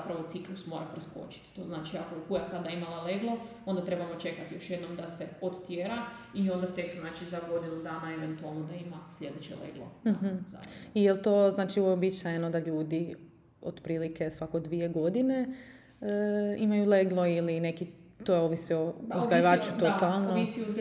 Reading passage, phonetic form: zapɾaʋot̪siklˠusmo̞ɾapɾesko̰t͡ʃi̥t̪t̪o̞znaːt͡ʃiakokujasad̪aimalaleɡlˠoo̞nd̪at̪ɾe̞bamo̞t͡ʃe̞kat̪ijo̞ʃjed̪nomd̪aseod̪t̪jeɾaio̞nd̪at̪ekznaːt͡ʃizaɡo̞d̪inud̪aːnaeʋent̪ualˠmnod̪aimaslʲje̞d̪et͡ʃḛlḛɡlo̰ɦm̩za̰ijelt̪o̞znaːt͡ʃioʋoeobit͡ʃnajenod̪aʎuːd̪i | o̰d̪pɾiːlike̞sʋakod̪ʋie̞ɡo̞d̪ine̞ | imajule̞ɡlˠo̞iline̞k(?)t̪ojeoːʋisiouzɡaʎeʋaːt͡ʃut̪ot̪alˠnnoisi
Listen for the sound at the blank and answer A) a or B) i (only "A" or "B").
B